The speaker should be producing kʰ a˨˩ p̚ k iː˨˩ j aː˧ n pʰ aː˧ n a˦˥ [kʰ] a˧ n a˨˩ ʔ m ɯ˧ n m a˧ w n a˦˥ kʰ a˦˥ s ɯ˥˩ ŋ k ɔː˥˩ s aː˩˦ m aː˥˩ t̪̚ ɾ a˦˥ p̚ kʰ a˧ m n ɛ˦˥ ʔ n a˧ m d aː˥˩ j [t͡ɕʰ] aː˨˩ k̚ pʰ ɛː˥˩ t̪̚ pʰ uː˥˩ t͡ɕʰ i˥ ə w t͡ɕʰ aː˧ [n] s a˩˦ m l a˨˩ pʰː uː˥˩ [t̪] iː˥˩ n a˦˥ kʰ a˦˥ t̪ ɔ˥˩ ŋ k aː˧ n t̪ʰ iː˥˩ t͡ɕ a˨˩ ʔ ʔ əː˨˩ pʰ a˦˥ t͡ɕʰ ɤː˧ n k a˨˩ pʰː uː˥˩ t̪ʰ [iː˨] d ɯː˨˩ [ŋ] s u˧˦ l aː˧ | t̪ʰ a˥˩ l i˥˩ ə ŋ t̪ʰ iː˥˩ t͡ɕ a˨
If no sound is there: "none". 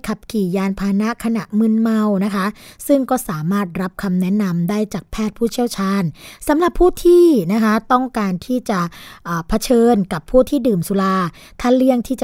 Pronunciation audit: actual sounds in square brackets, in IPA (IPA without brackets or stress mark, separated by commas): kʰ, t͡ɕ, n, t̪ʰ, iː˥˩, m